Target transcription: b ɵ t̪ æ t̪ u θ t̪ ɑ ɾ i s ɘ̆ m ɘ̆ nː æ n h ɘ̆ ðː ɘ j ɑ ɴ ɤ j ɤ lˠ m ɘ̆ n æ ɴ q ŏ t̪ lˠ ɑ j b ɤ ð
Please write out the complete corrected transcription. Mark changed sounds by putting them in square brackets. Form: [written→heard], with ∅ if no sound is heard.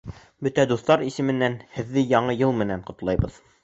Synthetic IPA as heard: b ɵ t̪ æ [t̪→d̪] u θ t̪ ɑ ɾ i s ɘ̆ m ɘ̆ nː æ n h ɘ̆ ðː ɘ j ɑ ɴ ɤ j ɤ lˠ m ɘ̆ n æ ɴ q ŏ t̪ lˠ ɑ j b ɤ ð